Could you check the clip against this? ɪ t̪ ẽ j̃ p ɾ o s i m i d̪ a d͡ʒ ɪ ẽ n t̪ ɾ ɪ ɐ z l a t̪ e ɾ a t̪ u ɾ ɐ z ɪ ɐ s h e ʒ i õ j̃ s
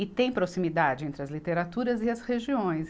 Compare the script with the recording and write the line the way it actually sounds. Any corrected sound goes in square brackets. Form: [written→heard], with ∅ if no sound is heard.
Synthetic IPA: ɪ t̪ ẽ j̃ p ɾ o s i m i d̪ a d͡ʒ ɪ ẽ n t̪ ɾ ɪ ɐ z l [a→i] t̪ e ɾ a t̪ u ɾ ɐ z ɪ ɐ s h e ʒ i õ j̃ s